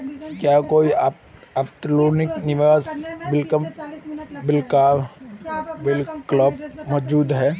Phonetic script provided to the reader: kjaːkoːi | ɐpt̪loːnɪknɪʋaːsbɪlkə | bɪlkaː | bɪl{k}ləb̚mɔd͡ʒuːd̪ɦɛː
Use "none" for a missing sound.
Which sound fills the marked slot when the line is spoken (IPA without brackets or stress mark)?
k